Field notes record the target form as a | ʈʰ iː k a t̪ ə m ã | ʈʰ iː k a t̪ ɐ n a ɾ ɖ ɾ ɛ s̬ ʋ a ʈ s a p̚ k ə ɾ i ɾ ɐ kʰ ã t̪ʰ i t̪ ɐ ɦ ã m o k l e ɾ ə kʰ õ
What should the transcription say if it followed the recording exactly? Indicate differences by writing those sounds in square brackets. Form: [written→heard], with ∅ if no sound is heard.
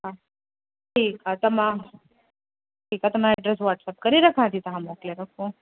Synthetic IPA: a | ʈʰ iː k a t̪ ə m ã | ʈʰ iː k a t̪ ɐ [n→m] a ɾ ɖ ɾ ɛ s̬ ʋ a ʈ s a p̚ k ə ɾ i ɾ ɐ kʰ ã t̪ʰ i t̪ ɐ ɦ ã m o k l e ɾ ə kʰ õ